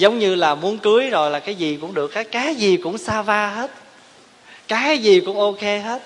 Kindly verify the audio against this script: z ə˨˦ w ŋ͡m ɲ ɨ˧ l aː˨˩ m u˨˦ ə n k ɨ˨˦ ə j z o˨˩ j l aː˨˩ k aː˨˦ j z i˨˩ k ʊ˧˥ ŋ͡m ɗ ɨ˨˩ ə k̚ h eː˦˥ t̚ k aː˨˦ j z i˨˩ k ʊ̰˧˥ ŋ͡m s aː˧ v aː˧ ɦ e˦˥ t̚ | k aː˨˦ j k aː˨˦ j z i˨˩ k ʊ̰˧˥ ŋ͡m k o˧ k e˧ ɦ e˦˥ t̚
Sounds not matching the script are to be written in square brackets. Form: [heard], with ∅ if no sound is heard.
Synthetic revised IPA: z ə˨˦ w ŋ͡m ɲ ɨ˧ l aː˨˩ m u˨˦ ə n k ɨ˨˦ ə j z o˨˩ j l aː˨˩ k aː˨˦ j z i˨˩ k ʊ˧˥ ŋ͡m ɗ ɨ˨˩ ə k̚ h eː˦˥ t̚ k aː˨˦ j z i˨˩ k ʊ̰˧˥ ŋ͡m s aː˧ v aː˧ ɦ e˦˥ t̚ | k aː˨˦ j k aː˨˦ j z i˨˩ k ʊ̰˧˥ ŋ͡m [ʔ] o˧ k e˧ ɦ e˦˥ t̚